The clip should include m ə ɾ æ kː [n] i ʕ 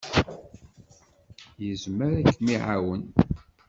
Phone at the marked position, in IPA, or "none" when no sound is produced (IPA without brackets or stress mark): m